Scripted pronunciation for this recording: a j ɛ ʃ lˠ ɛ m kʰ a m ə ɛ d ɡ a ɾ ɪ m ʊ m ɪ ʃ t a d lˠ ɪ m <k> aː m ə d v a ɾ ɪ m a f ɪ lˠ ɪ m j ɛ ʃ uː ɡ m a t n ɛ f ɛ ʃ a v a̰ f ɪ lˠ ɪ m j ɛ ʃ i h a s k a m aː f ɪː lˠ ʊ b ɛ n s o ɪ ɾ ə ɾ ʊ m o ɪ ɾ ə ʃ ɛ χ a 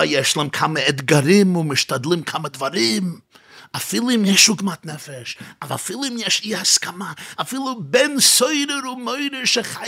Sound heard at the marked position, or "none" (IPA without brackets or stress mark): kʰ